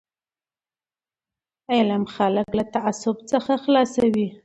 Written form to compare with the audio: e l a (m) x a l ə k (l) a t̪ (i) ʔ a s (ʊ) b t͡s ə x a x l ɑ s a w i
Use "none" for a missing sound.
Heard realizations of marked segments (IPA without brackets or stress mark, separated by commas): m, l, a, ʊ